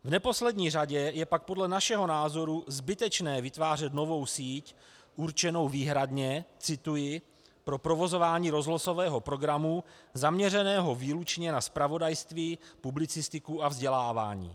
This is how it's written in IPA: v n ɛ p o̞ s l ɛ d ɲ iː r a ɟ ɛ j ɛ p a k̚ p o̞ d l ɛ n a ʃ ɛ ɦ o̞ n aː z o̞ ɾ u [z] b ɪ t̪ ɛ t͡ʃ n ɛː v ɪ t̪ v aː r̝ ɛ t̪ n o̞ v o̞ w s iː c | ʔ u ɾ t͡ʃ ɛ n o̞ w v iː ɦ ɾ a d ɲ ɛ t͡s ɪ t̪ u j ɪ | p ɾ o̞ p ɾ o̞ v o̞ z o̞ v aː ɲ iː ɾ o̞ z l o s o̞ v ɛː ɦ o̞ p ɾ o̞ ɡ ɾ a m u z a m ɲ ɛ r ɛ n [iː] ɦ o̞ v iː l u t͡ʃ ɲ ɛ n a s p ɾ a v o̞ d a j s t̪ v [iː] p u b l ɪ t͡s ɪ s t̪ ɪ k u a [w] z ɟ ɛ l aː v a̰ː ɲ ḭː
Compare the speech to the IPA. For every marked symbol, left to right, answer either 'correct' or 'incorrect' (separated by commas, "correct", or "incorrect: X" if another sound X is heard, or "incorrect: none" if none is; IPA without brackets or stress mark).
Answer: correct, incorrect: ɛː, correct, incorrect: v